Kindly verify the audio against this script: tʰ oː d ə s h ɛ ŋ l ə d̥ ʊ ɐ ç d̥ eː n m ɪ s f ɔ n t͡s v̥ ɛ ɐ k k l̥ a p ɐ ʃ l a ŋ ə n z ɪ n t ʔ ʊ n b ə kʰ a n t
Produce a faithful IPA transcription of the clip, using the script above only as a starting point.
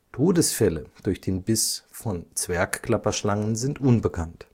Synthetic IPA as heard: tʰ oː d ə s f ɛ l ə d̥ ʊ ɐ ç d̥ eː n b ɪ s f ɔ n t͡s v̥ ɛ ɐ k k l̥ a p ɐ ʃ l a ŋ ə n z ɪ n t ʔ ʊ n b ə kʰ a n t